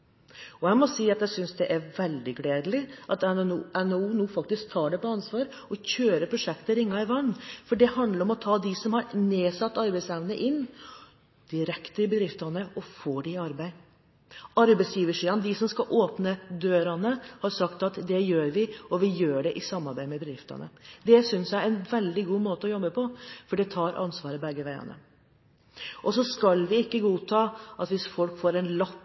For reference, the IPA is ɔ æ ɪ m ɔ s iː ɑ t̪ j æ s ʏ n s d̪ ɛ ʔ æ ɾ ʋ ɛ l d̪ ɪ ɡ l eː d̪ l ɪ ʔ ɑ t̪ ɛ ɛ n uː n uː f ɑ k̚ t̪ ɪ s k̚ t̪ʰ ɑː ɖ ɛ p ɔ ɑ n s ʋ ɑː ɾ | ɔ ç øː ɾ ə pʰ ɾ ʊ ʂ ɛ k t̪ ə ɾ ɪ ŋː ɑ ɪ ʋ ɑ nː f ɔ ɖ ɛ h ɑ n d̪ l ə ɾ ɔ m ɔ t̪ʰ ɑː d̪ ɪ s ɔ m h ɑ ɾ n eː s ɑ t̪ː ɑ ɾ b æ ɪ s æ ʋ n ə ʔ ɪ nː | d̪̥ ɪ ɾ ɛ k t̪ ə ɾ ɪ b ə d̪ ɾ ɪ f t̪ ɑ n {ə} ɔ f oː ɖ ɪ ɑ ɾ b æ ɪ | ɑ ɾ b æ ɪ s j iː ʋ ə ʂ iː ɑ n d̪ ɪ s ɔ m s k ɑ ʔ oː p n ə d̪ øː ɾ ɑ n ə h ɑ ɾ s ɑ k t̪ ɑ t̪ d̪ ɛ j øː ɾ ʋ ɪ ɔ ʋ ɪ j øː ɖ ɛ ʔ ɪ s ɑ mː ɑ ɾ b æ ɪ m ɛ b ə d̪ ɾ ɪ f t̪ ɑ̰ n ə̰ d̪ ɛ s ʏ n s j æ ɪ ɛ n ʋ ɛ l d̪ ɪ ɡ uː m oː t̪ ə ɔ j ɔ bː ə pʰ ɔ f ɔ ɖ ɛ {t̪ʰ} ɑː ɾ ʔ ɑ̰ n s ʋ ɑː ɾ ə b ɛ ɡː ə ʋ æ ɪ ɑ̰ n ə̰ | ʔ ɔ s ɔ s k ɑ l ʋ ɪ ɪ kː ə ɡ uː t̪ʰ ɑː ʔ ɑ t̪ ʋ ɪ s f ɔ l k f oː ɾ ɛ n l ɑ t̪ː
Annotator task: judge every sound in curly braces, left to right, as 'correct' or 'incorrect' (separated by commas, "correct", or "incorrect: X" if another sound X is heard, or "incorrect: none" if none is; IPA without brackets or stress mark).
correct, correct